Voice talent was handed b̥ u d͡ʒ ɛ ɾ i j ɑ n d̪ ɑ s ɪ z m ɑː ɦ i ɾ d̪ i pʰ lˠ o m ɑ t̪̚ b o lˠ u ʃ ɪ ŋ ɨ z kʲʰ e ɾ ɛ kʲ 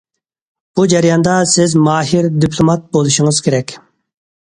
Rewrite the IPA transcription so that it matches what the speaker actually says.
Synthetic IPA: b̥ u d͡ʒ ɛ ɾ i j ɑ n d̪ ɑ s ɪ z m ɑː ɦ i ɾ d̪ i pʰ lˠ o m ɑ t̪̚ b o lˠ u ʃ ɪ ŋ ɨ z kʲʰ e ɾ ɛ kʲ